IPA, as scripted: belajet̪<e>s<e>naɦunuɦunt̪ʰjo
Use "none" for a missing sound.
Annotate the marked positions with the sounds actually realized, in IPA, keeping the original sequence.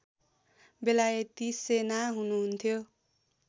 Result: i, e

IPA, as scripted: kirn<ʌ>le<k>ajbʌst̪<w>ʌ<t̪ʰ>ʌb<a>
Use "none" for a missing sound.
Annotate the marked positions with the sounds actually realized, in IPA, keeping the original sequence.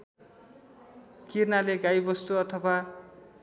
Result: a, ɡ, u, t̪ʰ, a

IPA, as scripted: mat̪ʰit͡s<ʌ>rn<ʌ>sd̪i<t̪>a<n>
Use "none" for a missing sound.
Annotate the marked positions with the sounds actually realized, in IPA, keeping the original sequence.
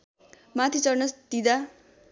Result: ʌ, ʌ, d̪, none

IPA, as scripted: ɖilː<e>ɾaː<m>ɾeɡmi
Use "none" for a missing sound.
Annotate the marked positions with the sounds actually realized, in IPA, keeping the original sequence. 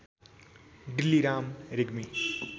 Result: i, m

